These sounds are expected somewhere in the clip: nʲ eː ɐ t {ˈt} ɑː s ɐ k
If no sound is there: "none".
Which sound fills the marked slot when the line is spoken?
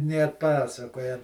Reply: p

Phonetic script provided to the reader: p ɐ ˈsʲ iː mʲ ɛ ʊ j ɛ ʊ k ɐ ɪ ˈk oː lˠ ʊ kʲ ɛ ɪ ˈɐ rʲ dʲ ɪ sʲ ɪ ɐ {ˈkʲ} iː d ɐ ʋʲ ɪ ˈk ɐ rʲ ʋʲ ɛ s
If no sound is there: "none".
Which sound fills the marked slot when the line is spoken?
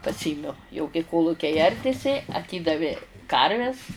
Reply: tʲ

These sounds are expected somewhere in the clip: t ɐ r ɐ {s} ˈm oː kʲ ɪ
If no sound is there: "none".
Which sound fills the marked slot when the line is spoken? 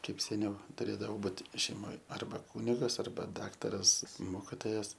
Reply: s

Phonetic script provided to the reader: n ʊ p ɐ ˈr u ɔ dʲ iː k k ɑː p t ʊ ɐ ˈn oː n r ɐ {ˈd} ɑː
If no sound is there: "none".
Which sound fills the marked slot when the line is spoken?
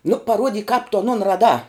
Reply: d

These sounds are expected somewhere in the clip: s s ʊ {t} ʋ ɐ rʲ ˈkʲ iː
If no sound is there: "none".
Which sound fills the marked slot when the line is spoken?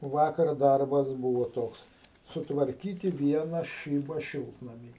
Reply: t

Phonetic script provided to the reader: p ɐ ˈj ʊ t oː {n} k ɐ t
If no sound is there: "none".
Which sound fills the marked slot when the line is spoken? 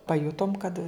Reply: m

